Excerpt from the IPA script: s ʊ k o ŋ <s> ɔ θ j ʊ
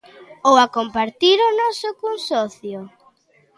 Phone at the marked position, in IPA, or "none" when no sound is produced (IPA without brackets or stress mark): s